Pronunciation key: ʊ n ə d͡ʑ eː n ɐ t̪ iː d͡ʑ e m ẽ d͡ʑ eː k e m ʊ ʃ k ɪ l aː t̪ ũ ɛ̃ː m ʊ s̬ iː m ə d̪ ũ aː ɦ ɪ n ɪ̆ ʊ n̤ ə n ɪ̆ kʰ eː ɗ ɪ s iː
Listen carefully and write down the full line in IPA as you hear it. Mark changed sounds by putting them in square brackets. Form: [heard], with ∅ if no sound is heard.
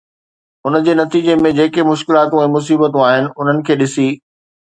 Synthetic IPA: ʊ n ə d͡ʑ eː n ɐ t̪ iː d͡ʑ e m ẽ d͡ʑ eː k e m ʊ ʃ k ɪ l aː t̪ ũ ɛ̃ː m ʊ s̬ iː [b] ə [t̪] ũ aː ɦ ɪ n ɪ̆ ʊ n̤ ə n ɪ̆ kʰ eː ɗ ɪ s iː